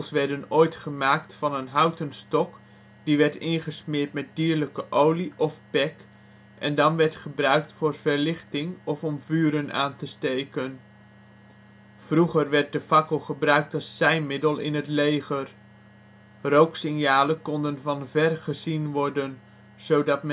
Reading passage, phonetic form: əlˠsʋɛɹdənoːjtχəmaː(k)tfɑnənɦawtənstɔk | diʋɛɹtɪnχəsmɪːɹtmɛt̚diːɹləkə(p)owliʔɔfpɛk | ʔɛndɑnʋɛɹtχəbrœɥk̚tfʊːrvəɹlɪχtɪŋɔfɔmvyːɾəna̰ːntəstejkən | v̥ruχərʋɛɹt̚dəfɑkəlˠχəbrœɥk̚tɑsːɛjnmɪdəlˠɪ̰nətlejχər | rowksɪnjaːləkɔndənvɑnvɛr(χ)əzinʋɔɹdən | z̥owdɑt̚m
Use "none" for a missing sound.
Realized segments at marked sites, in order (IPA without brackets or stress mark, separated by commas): k, ʔ, χ